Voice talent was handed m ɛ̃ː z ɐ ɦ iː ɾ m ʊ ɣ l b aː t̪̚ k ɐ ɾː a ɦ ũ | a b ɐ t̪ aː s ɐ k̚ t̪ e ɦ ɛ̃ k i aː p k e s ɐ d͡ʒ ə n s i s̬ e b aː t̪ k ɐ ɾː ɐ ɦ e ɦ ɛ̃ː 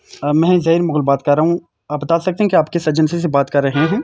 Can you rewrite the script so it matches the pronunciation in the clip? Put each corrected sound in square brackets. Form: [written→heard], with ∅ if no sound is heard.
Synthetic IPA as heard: m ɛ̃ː z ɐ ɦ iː ɾ m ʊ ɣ l b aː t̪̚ k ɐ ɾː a ɦ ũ | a b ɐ t̪ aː s ɐ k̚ t̪ e ɦ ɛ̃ k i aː p k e s ɐ d͡ʒ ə n s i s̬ e b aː t̪ k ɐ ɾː ɐ ɦ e ɦ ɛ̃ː